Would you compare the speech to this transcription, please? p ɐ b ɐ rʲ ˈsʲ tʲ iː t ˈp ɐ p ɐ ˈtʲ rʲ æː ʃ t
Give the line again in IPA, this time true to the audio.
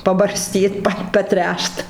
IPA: p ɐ b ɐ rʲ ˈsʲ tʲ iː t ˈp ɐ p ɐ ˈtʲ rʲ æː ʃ t